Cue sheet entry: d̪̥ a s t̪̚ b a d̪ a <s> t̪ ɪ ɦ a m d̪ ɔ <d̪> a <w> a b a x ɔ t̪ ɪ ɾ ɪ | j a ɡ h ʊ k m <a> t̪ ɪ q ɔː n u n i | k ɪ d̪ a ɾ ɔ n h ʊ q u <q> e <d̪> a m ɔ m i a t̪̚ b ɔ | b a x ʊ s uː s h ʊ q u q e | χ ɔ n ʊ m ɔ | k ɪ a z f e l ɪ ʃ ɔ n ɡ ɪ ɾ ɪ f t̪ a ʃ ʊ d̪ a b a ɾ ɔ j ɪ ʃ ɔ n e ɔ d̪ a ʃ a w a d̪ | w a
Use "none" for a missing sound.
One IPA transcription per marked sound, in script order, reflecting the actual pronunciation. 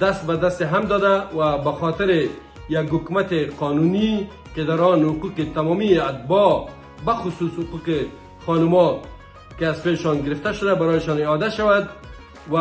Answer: s, d̪, w, a, q, t̪

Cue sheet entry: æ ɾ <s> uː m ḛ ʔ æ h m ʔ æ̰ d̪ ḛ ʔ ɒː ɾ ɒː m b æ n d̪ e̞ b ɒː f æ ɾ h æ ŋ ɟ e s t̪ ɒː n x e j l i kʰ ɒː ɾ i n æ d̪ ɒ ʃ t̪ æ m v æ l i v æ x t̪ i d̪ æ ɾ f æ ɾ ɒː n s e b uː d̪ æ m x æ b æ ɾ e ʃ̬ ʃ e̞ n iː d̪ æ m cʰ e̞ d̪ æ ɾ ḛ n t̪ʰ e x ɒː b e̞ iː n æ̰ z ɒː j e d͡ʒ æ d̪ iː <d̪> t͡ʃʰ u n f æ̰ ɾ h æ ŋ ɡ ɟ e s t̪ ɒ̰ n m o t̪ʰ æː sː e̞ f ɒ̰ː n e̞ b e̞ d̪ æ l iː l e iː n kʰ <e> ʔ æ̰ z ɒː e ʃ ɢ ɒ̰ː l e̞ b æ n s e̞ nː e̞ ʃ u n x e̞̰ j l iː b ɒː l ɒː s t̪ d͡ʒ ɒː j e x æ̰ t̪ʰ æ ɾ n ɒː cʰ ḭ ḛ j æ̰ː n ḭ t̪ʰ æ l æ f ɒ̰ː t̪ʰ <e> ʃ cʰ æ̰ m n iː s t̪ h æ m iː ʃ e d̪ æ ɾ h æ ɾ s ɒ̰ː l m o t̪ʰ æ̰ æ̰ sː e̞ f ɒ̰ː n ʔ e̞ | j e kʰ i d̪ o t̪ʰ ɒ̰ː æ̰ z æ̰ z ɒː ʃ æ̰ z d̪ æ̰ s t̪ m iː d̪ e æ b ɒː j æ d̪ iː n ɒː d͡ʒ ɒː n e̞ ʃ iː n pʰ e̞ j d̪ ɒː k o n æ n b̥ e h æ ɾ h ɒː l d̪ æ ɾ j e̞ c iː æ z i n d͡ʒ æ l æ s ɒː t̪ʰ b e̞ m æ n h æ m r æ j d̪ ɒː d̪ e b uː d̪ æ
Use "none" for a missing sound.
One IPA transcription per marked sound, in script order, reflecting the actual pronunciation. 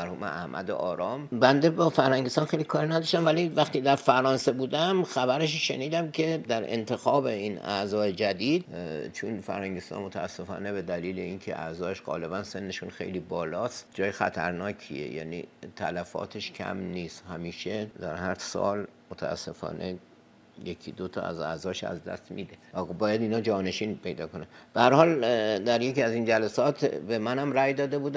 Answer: h, d̪, e, e

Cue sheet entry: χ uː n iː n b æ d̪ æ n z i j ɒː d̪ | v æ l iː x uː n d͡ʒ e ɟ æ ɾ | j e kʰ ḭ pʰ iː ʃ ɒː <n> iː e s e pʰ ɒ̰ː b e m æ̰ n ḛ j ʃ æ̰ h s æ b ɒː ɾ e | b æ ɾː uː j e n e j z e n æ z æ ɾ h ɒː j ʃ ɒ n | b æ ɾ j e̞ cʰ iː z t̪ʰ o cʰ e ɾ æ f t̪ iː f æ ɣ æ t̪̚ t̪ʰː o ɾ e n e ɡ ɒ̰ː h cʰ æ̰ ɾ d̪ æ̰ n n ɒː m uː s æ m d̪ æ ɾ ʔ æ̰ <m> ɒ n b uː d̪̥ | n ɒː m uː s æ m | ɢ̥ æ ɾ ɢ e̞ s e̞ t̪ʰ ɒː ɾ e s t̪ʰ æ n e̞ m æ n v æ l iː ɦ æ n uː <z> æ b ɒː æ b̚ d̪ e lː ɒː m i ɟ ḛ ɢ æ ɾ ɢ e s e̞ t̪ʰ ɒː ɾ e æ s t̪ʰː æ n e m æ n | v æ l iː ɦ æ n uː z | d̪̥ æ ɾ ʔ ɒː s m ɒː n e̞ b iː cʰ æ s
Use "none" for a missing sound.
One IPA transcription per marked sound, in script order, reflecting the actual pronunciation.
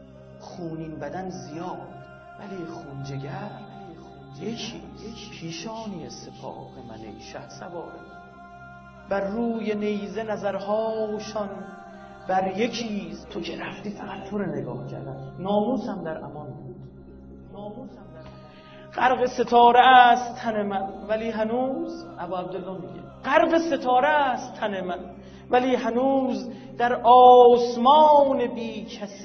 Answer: n, m, z

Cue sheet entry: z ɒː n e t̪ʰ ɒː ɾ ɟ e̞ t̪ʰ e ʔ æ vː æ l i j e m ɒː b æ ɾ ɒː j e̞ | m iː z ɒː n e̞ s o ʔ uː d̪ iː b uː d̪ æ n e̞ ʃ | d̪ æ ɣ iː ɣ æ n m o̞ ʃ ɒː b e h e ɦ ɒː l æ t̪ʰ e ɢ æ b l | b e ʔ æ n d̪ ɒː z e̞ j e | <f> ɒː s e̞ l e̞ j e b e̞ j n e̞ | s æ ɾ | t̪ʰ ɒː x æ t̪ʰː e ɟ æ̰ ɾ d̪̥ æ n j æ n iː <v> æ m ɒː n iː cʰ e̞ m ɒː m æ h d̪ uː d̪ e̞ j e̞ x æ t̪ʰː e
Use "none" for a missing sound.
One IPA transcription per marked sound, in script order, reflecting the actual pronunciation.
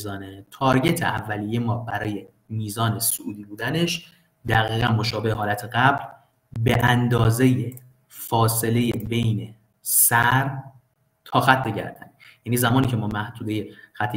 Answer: f, z

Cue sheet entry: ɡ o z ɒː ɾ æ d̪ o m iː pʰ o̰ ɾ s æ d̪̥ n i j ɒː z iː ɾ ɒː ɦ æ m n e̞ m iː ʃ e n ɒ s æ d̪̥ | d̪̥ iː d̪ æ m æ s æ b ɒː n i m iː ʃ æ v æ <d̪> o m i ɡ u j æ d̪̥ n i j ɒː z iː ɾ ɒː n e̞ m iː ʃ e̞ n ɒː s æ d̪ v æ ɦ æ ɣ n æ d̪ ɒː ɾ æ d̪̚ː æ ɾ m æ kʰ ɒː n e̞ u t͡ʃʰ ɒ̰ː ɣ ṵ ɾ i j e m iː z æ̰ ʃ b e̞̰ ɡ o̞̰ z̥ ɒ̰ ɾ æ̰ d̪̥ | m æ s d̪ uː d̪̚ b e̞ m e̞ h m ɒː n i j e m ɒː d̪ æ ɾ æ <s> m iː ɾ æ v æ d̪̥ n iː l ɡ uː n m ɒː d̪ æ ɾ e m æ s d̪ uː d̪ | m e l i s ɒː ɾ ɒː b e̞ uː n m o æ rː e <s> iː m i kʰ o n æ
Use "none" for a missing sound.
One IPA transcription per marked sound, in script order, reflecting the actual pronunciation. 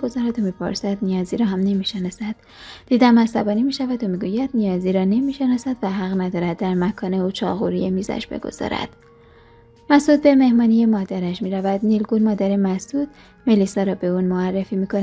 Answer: d̪, ʃ, f

